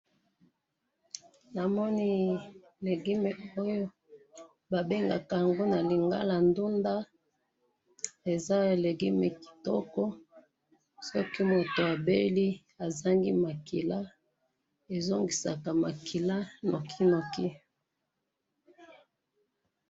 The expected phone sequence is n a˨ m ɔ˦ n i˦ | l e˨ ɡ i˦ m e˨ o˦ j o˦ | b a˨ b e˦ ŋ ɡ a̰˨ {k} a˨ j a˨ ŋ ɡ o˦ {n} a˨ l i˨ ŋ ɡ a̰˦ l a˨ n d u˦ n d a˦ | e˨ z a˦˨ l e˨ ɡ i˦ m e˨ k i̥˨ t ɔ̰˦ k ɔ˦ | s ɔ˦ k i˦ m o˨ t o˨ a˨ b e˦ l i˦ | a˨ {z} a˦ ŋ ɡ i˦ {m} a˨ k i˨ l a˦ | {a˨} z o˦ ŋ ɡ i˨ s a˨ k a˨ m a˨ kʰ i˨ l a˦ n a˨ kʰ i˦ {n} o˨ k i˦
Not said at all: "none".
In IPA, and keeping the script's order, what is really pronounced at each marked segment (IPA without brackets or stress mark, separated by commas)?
k, n, z, m, e˨, n